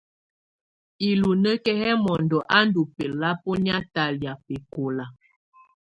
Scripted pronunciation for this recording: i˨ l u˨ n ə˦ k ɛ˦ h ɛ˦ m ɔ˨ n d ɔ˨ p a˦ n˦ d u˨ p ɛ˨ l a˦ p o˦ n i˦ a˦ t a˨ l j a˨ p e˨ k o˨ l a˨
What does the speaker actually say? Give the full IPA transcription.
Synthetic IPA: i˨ l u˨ n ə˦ k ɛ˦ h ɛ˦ m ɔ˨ n d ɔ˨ ʔ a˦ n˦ d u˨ p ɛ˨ l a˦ p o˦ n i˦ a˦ t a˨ l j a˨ p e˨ k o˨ l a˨